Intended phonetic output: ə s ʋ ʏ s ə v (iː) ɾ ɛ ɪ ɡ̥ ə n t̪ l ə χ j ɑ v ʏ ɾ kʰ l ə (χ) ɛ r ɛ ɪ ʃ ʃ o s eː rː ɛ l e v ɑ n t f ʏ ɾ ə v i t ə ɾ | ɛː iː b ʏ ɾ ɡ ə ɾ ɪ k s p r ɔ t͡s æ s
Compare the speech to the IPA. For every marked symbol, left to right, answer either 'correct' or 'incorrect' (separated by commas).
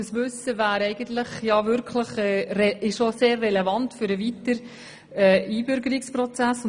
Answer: incorrect, correct